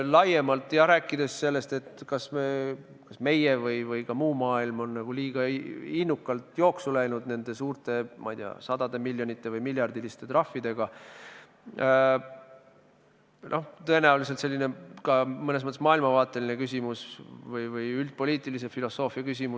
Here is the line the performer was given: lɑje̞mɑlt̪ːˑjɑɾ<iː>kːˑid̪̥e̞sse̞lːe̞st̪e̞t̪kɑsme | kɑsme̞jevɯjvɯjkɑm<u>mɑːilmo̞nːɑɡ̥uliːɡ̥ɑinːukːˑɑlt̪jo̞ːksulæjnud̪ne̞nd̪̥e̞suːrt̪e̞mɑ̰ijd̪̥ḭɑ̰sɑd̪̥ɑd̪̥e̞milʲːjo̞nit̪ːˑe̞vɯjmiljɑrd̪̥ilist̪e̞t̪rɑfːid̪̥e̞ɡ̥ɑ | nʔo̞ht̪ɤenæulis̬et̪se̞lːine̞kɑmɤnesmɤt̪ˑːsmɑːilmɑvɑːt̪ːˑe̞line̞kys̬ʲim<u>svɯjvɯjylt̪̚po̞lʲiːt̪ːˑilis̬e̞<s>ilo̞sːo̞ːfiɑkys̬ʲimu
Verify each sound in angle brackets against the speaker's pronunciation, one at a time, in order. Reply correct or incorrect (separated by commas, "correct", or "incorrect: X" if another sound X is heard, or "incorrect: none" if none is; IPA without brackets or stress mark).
incorrect: æː, incorrect: uː, correct, incorrect: f